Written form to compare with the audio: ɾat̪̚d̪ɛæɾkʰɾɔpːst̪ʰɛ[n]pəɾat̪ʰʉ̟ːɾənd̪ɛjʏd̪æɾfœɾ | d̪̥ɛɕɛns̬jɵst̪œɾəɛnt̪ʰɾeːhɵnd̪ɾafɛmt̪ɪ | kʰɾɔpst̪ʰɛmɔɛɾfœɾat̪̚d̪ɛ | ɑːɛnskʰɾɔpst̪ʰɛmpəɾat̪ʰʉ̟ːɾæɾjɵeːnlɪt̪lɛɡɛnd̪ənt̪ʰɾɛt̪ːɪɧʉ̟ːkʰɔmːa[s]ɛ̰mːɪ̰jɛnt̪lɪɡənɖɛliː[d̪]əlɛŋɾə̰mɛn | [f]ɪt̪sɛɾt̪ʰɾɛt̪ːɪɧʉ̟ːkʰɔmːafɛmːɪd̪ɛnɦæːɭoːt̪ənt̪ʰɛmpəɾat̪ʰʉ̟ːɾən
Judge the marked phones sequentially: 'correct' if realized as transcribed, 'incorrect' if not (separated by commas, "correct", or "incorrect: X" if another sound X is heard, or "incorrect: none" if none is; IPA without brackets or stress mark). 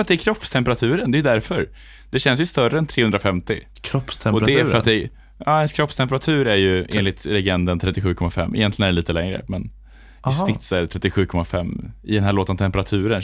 incorrect: m, incorrect: f, incorrect: t̪, incorrect: s